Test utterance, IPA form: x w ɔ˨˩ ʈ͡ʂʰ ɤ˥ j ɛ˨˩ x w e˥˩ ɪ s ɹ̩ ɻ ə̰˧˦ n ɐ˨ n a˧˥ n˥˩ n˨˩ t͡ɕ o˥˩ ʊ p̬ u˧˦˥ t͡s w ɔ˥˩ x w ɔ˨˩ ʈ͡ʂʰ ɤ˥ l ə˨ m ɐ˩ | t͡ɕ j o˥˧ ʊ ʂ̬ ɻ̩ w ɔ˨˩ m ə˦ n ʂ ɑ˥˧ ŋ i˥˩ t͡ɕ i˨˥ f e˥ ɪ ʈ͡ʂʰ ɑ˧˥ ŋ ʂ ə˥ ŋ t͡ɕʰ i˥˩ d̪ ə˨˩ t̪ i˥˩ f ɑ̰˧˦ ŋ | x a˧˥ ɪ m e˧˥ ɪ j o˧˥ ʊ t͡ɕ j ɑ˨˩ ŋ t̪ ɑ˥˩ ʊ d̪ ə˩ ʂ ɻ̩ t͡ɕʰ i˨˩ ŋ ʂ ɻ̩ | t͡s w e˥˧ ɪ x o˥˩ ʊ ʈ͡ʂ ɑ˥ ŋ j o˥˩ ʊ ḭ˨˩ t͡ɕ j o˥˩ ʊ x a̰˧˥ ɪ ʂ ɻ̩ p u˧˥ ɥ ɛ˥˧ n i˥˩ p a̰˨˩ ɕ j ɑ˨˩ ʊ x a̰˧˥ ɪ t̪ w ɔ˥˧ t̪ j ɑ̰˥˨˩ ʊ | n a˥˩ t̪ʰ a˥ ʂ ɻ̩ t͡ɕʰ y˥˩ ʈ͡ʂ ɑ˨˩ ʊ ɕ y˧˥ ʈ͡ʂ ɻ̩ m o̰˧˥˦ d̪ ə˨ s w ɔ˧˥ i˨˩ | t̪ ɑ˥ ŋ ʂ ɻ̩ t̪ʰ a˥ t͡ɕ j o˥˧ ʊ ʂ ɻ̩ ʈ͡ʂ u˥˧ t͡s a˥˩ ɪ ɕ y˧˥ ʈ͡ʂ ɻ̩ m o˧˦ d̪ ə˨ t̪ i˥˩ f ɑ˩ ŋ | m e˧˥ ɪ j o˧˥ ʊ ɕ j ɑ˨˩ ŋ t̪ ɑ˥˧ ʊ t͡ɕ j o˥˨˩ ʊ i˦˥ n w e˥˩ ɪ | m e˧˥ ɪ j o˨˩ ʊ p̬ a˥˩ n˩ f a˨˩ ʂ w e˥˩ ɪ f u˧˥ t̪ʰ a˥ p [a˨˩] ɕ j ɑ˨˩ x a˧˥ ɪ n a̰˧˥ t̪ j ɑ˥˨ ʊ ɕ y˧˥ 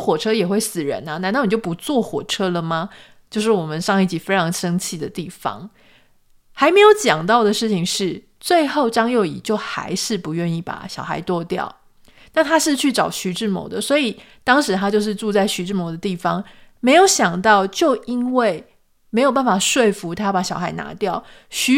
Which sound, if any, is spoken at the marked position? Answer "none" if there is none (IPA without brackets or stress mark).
a˨˩